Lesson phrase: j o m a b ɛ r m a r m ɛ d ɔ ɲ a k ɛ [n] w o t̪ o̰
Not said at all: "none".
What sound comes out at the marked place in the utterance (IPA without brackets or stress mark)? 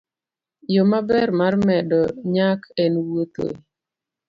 n